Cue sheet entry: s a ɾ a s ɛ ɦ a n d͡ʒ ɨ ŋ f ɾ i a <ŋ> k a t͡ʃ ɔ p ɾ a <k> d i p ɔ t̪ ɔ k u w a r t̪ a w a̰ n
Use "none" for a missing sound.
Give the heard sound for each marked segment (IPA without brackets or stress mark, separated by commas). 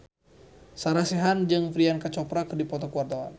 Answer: n, k